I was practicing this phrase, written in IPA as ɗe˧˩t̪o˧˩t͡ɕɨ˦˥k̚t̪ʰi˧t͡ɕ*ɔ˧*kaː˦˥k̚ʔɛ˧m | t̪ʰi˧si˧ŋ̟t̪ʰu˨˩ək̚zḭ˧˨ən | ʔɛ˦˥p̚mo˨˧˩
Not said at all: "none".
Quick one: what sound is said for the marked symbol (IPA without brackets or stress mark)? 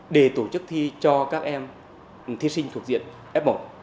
ɔ˧